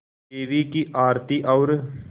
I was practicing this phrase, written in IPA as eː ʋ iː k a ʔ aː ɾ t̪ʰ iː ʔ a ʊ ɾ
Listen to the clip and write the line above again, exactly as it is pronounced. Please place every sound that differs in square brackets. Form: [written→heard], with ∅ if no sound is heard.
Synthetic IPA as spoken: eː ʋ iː k [a→i] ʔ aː ɾ [t̪ʰ→t̪] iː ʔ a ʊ ɾ